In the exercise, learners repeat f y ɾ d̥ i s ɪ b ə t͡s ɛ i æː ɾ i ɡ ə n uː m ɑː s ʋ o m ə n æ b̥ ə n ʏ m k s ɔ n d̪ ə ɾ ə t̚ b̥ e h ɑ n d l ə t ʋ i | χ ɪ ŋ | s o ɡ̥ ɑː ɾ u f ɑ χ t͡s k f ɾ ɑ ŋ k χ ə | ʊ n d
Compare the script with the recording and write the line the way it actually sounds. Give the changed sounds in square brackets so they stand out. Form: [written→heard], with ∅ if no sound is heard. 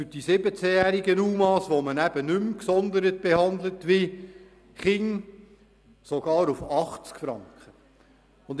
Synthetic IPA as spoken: f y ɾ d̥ i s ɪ b ə t͡s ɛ [i→j] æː ɾ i ɡ ə n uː m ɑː s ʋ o m ə n æ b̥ ə n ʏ m k s ɔ n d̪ ə ɾ ə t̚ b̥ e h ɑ n d l ə t ʋ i | χ ɪ ŋ | s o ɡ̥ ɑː ɾ u f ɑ χ t͡s k f ɾ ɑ ŋ k χ ə | ʊ n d

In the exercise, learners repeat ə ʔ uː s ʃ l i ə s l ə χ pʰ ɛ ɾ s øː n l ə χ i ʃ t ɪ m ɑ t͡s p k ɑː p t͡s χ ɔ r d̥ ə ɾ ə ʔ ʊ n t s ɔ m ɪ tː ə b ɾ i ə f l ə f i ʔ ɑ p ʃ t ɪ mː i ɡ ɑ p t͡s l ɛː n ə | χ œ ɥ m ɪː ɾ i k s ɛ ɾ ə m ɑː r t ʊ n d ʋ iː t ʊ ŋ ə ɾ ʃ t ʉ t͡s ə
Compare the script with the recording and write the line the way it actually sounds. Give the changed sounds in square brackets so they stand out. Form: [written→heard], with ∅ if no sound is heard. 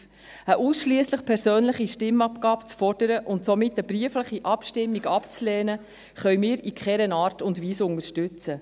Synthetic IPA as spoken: ə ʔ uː s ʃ l i ə s l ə χ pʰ ɛ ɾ s øː n l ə χ i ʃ t ɪ m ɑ [t͡s→∅] p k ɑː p t͡s [χ→f] ɔ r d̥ ə ɾ ə ʔ ʊ n t s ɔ m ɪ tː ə b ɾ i ə f l ə [f→χ] i ʔ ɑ p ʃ t ɪ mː i ɡ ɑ p t͡s l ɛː n ə | χ œ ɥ m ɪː ɾ i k [s→χ] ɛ ɾ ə [m→n] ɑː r t ʊ n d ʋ iː [t→s] ʊ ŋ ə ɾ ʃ t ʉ t͡s ə

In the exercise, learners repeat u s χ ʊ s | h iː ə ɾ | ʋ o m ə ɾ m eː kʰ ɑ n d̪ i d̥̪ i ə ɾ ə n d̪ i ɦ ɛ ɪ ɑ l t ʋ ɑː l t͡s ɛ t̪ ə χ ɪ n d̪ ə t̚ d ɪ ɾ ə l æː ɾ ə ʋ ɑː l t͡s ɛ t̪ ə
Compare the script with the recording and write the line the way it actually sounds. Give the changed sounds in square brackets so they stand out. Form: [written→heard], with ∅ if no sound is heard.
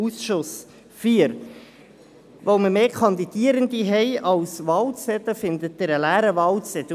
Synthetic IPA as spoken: u s [χ→ʃ] ʊ s | [h→f] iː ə ɾ | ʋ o m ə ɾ m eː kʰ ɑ n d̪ i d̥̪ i ə ɾ ə n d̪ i ɦ ɛ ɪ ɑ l [t→s] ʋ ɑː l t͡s ɛ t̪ ə [χ→f] ɪ n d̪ ə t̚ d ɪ ɾ ə l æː ɾ ə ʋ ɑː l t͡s ɛ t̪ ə

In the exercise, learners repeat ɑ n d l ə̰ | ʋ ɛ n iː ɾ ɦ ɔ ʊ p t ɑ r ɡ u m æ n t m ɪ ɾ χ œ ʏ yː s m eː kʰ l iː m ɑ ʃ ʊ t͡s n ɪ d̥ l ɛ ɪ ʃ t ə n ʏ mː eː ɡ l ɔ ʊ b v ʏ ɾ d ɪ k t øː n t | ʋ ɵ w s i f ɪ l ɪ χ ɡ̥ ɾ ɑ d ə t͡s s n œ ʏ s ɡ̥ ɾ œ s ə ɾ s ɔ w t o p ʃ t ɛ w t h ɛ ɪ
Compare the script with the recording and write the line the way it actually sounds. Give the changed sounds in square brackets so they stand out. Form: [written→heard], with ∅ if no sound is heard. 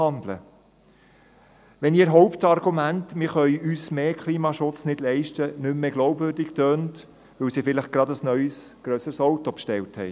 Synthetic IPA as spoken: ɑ n d l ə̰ | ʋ ɛ n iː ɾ ɦ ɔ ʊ p t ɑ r ɡ u m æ n t m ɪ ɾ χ œ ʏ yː s m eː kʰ l iː m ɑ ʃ ʊ t͡s n ɪ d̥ l ɛ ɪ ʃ t ə n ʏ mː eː ɡ l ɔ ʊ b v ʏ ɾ d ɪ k t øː n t | ʋ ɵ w s i f ɪ l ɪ χ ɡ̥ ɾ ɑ d ə [t͡s→∅] s n œ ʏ s ɡ̥ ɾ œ s ə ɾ s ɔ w t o p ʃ t ɛ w t h ɛ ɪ

